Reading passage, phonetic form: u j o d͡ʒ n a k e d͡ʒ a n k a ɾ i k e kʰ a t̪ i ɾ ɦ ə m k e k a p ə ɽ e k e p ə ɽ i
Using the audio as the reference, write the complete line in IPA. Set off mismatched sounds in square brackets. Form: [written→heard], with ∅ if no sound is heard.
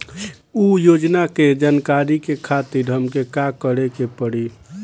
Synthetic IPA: u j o d͡ʒ n a k e d͡ʒ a n k a ɾ i k e kʰ a t̪ i ɾ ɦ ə m k e k a [p→k] ə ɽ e k e p ə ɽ i

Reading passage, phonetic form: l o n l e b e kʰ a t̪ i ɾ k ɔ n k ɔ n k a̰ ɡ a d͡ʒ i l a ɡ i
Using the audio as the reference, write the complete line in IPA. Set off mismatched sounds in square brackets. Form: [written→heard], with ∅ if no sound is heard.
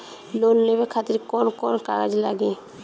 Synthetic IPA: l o n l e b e kʰ a t̪ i ɾ k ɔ n k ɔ n k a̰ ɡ a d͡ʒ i l a ɡ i

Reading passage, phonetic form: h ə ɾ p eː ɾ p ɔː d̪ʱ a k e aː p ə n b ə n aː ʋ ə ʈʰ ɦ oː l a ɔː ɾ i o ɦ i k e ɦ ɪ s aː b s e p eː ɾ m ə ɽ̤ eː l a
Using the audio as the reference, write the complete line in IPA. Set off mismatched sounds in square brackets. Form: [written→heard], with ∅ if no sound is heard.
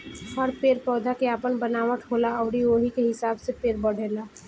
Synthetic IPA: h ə ɾ p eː ɾ p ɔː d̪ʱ a k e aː p ə n b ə n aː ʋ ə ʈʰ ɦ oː l a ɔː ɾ i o ɦ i k e ɦ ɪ s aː b s e p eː ɾ [m→b] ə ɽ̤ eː l a

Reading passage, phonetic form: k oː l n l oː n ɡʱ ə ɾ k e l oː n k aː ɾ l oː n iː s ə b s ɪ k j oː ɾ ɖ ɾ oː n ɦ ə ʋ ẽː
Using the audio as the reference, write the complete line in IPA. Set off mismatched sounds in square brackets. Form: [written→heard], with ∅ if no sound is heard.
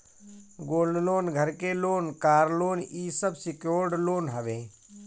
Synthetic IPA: [k→ɡ] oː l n l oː n ɡʱ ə ɾ k e l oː n k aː ɾ l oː n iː s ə b s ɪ k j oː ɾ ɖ [ɾ→l] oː n ɦ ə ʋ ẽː

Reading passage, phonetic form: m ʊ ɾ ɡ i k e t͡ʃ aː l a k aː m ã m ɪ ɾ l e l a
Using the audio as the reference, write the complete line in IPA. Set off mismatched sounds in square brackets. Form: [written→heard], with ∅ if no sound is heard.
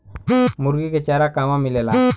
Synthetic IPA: m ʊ ɾ ɡ i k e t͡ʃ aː [l→ɾ] a k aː m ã m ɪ [ɾ→∅] l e l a

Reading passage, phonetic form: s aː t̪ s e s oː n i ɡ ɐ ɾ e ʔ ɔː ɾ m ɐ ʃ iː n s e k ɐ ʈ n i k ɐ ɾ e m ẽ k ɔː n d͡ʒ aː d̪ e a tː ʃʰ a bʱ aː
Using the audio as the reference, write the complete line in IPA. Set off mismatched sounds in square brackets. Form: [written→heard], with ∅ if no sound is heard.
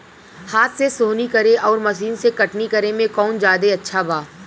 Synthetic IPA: [s→h] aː t̪ s e s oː n i [ɡ→k] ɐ ɾ e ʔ ɔː ɾ m ɐ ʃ iː n s e k ɐ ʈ n i k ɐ ɾ e m ẽ k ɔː n d͡ʒ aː d̪ e [a→ɐ] tː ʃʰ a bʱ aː

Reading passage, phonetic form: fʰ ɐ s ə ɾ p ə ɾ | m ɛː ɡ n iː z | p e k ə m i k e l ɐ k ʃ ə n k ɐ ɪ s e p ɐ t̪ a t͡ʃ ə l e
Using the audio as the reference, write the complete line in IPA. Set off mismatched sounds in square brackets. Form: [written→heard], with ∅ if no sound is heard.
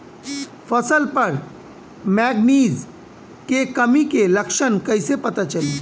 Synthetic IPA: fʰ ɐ s ə [ɾ→l] p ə ɾ | m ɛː ɡ n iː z | [p→k] e k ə m i k e l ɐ k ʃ ə n k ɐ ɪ s e p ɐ t̪ a t͡ʃ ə l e

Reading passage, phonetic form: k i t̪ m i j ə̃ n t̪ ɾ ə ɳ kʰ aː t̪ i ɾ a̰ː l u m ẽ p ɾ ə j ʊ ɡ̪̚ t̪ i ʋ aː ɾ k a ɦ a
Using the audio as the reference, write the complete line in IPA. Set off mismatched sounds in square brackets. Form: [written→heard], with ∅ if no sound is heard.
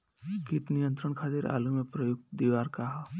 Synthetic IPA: k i t̪ [m→n] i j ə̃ n t̪ ɾ ə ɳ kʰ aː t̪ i ɾ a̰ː l u m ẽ p ɾ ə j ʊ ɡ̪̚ [t̪→d̪] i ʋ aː ɾ k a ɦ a

